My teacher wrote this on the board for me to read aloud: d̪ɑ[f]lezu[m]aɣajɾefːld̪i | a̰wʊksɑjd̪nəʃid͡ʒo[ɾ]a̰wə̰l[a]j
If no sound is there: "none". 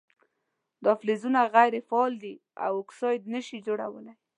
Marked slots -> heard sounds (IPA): f, n, ɽ, a

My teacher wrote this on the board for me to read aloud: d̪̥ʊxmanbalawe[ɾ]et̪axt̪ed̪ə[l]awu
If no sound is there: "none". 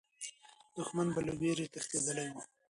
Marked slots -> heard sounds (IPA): ɾ, l

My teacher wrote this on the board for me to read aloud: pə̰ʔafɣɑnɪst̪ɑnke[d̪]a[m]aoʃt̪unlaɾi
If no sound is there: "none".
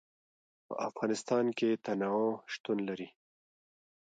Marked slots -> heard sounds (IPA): t̪, n

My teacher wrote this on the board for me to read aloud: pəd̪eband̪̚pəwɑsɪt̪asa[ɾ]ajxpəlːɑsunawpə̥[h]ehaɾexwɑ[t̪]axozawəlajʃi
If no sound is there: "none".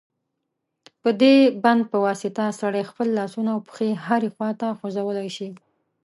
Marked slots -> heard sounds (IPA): ɽ, x, t̪

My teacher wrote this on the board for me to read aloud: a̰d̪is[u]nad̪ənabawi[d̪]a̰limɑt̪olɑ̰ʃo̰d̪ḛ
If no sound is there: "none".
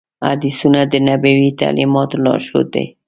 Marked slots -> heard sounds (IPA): u, t̪

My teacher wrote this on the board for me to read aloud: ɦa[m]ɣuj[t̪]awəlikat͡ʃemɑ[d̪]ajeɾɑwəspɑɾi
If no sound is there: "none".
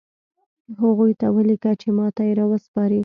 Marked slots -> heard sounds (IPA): none, t̪, t̪

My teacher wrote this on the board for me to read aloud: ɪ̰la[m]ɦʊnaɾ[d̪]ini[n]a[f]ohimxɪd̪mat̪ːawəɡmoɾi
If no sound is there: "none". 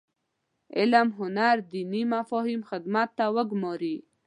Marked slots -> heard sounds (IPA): m, d̪, m, f

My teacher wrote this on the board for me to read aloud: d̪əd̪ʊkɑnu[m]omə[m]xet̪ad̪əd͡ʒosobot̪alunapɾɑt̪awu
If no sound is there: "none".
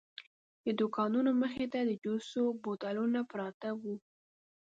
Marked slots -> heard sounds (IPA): n, none

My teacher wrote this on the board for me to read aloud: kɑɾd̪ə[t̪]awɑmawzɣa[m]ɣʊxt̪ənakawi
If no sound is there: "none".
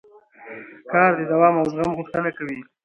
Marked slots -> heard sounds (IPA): d̪, m

